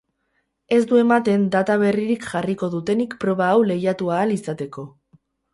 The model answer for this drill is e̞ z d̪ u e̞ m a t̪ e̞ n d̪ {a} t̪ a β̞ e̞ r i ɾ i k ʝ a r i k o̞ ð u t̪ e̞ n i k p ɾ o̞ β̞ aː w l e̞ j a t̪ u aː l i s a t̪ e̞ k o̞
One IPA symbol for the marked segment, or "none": a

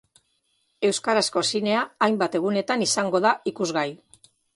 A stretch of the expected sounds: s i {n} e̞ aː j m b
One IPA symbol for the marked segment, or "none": n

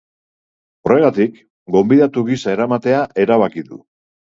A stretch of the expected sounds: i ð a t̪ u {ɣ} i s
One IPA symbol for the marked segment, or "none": ɣ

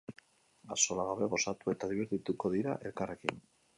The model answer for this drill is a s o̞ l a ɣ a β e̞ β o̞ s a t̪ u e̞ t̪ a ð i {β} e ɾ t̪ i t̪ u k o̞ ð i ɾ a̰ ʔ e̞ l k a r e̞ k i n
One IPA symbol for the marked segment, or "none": β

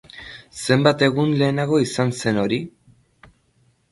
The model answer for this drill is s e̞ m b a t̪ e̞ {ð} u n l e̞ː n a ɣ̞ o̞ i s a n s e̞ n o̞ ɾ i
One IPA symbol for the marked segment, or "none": ɣ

